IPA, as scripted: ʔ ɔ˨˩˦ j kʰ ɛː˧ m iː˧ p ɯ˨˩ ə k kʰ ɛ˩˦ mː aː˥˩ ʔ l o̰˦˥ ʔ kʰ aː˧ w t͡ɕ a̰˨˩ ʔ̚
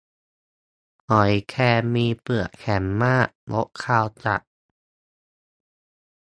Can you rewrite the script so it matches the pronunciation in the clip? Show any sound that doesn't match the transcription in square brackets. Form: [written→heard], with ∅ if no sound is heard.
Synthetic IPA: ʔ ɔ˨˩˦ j kʰ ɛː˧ m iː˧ p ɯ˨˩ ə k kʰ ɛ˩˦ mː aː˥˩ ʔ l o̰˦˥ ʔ kʰ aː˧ w t͡ɕ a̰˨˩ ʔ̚